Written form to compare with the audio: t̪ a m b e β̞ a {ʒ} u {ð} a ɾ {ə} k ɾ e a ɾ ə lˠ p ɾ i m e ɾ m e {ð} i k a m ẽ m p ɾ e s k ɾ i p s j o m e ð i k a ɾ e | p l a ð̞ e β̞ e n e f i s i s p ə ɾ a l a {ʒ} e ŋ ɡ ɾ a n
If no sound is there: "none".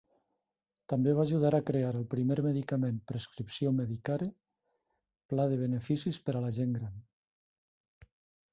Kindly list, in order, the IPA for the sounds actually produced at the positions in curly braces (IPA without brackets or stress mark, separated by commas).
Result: ʒ, ð, a, ð, ʒ